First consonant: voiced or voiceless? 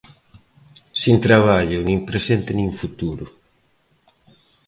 voiceless